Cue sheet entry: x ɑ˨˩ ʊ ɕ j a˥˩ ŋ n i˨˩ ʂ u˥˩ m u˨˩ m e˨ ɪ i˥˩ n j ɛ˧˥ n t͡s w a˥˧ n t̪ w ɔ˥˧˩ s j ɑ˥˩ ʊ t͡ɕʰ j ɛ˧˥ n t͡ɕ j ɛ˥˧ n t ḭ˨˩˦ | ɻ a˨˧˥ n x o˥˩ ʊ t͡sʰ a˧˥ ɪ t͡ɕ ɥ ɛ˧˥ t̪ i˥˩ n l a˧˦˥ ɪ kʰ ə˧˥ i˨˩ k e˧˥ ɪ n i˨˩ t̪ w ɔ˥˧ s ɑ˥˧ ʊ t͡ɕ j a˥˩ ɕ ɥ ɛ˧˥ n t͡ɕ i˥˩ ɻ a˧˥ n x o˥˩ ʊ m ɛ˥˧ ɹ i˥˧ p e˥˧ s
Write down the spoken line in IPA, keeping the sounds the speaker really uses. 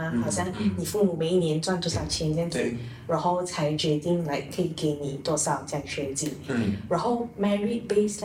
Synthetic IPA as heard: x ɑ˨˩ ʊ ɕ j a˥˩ ŋ n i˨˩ f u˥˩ m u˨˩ m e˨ ɪ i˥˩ n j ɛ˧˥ n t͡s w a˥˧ n t̪ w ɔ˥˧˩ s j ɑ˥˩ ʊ t͡ɕʰ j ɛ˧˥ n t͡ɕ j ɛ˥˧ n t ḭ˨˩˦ | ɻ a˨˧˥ n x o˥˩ ʊ t͡sʰ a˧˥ ɪ t͡ɕ ɥ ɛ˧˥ t̪ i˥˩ ŋ l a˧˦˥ ɪ kʰ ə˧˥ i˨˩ k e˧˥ ɪ n i˨˩ t̪ w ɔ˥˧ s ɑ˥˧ ʊ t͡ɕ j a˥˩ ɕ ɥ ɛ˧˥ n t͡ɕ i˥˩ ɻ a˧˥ n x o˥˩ ʊ m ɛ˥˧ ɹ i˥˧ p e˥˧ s